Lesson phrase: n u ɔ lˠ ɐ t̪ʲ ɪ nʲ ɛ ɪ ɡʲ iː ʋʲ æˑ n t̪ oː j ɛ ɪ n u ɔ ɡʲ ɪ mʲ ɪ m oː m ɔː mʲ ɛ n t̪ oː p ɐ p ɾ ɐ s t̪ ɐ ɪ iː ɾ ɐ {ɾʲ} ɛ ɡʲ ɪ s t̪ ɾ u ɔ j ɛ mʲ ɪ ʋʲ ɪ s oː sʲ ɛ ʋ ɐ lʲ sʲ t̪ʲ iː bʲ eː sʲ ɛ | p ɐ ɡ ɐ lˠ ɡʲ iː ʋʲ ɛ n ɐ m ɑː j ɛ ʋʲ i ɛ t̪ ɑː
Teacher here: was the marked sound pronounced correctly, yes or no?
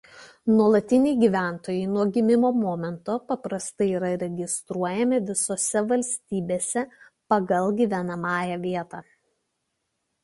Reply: yes